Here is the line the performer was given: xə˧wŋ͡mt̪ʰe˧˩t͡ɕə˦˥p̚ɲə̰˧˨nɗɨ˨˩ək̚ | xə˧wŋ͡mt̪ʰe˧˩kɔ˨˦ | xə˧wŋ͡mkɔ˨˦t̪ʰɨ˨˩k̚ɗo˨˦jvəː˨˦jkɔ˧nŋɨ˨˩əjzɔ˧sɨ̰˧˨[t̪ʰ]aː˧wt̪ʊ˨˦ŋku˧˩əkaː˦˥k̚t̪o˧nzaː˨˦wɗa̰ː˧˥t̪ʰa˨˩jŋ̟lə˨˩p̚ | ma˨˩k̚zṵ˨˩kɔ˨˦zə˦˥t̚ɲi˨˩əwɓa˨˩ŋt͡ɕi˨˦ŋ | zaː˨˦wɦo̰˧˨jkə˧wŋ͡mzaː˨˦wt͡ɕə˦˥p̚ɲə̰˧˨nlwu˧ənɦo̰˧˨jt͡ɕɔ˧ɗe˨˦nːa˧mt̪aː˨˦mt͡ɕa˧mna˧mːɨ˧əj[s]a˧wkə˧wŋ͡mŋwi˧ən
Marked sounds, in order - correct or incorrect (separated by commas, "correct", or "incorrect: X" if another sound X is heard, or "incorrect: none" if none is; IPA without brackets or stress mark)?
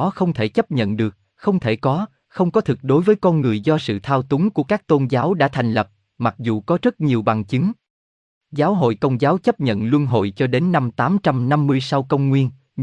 correct, correct